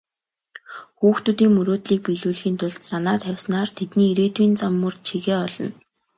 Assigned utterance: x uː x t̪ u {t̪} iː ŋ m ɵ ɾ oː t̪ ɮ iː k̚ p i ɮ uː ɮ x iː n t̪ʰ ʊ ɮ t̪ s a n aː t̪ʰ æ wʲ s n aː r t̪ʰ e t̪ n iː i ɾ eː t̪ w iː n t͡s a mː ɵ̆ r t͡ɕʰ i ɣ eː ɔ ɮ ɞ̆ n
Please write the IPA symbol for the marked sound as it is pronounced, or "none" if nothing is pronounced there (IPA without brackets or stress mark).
t̪